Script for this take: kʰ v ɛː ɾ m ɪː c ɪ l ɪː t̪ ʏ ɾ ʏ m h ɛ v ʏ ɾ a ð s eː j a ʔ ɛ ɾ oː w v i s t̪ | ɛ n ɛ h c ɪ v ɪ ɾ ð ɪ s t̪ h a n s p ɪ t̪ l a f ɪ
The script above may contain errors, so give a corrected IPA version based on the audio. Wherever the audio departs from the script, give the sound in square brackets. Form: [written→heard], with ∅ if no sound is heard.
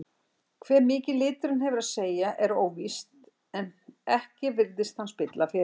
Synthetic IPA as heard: kʰ v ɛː ɾ m ɪː c ɪ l ɪː t̪ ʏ ɾ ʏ [m→n] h ɛ v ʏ ɾ a ð s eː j a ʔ ɛ ɾ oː w v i s t̪ | ɛ n ɛ h c ɪ v ɪ ɾ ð ɪ s t̪ h a n s p ɪ t̪ l a f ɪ